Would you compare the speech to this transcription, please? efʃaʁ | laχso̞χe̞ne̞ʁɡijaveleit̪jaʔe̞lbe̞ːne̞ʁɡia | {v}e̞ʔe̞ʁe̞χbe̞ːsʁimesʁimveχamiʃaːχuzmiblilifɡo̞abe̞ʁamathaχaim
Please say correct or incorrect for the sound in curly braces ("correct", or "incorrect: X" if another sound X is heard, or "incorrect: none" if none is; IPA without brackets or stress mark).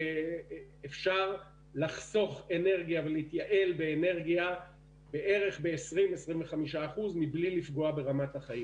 incorrect: b